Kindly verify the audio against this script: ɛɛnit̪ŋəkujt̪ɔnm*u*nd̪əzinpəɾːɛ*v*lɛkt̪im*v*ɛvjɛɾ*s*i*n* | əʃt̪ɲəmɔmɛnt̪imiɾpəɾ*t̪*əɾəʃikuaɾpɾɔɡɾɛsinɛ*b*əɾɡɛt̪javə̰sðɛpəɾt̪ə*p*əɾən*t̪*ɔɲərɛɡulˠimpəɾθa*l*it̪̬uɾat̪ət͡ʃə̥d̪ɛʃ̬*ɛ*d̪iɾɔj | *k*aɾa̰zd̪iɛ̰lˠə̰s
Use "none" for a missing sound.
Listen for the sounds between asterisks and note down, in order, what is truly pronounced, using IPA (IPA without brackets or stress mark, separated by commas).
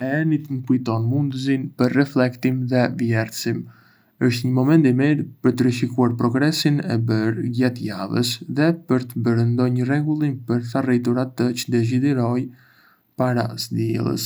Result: u, f, ð, s, m, t̪, b, b, d̪, r, i, p